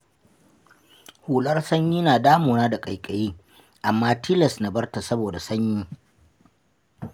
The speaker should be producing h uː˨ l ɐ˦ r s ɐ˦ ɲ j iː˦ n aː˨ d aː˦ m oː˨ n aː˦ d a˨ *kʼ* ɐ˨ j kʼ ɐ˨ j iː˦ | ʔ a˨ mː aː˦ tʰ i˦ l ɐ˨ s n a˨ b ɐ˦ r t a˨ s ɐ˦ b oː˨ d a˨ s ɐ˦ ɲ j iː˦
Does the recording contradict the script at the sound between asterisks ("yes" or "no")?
no